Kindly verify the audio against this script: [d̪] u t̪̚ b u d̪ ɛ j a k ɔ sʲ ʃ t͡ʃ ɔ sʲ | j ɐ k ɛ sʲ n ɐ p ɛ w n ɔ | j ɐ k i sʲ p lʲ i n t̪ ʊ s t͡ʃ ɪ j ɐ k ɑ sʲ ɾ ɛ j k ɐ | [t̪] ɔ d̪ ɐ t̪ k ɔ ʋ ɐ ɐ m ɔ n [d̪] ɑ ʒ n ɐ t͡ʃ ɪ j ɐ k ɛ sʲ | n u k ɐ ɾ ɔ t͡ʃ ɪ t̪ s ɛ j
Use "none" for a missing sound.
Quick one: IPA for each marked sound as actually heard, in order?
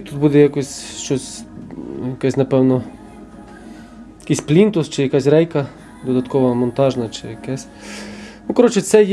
t̪, d̪, t̪

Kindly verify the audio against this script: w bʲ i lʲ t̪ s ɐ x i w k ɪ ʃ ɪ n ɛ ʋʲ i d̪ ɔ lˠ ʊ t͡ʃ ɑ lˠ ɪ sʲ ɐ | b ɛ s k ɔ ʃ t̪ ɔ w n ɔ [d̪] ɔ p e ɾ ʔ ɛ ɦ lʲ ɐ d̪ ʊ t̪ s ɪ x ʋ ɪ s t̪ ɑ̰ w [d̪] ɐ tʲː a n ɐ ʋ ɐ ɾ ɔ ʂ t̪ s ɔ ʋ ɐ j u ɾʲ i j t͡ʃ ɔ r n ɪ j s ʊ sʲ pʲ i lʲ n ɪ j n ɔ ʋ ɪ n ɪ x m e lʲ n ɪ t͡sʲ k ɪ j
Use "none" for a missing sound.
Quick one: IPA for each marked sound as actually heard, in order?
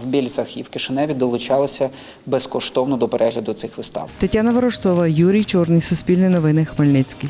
d̪, t̪

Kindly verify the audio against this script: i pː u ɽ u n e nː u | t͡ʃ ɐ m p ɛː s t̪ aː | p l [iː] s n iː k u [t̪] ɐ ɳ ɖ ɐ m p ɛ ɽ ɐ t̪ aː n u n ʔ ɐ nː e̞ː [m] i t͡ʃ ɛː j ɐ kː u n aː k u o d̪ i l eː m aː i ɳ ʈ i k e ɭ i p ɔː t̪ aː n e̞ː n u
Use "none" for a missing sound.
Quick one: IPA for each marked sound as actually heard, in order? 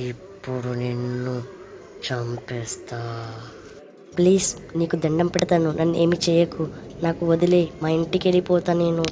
iː, d̪, m

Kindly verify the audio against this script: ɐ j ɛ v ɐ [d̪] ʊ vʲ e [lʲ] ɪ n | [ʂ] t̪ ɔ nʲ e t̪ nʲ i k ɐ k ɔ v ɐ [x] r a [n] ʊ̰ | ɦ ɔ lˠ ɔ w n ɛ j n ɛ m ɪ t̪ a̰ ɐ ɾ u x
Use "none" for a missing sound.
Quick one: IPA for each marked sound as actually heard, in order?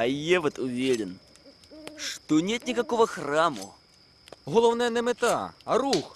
t̪, ɾʲ, ʂ, x, m

